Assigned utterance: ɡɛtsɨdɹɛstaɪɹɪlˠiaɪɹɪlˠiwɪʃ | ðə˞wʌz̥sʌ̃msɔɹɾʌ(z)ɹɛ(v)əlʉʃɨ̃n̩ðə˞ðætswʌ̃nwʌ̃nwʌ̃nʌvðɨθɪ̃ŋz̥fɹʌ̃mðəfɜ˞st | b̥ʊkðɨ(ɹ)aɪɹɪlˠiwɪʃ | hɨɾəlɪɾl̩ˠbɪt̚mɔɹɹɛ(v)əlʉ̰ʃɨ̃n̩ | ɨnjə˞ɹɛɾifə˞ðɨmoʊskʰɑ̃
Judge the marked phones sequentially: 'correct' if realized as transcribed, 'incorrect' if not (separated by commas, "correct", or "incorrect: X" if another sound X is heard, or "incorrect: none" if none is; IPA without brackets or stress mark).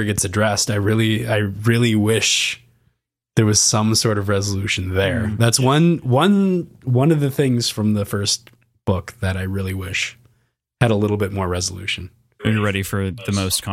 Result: incorrect: v, incorrect: z, incorrect: ɾ, incorrect: z